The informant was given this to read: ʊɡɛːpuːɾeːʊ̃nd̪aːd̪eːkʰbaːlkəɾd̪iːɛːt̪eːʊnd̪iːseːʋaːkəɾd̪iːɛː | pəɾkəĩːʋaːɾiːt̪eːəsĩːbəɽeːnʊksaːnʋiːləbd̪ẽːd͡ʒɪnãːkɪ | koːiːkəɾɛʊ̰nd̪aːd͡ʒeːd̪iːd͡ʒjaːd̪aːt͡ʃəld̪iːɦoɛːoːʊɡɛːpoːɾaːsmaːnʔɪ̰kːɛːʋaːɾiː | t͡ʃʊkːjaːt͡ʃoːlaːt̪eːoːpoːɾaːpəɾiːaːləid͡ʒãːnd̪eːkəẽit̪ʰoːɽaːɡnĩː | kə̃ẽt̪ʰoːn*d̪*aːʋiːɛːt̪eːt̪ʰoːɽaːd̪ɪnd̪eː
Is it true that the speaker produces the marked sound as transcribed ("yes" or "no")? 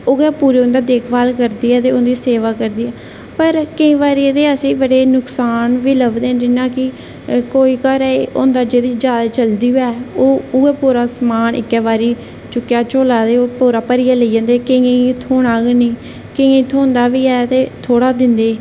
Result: yes